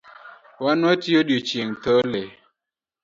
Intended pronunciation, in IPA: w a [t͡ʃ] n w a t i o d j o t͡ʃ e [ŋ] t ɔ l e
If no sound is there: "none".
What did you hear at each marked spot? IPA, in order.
none, ŋ

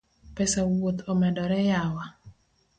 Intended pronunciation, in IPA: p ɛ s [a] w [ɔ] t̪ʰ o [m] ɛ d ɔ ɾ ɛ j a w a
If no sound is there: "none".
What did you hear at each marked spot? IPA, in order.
a, o, m

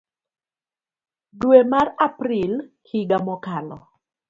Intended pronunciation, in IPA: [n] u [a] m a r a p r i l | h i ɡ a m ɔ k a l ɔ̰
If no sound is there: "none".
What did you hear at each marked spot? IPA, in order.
d, e

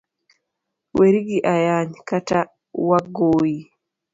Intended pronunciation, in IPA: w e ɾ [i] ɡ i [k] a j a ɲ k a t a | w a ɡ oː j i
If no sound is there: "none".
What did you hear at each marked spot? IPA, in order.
i, ʔ

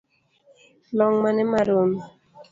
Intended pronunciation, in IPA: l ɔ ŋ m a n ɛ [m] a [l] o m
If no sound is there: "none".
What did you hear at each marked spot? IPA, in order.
m, ɾ

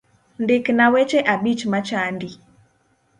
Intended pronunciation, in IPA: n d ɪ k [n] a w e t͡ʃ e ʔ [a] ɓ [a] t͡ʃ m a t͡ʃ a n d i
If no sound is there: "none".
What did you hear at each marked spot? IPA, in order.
n, a, i

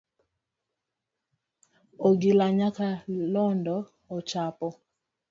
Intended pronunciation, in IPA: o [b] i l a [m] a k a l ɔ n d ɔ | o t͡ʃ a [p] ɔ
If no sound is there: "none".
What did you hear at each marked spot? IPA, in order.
ɡ, ɲ, p

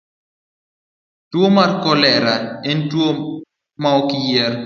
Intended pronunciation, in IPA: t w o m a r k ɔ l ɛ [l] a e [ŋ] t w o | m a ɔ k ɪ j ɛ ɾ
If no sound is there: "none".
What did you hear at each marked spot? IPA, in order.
ɾ, n

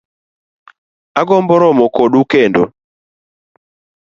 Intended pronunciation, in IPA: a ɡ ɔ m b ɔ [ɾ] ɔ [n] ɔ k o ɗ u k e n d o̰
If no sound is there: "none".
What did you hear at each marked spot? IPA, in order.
ɾ, m

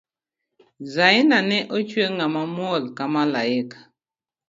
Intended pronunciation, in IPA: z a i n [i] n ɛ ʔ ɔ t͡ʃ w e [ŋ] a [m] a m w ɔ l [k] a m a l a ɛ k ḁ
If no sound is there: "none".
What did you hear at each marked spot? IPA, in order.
a, ŋ, m, k

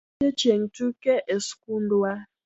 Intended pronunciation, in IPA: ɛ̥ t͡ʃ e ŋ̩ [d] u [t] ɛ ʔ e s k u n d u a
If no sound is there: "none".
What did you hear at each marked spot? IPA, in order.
t, k

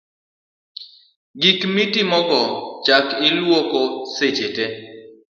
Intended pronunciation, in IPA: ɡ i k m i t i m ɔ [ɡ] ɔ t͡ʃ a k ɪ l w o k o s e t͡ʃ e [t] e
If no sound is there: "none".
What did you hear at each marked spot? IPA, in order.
ɡ, t

